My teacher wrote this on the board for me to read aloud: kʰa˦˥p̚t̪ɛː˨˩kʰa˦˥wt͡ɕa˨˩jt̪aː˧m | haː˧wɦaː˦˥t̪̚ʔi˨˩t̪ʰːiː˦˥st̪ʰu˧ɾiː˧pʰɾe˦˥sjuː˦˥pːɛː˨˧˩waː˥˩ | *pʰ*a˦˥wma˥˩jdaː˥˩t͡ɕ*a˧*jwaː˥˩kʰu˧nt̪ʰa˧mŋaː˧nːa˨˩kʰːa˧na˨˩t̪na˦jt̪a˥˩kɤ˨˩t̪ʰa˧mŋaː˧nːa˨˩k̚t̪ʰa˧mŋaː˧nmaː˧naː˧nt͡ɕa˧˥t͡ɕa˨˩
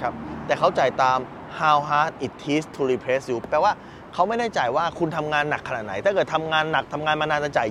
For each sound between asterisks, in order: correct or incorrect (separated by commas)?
incorrect, incorrect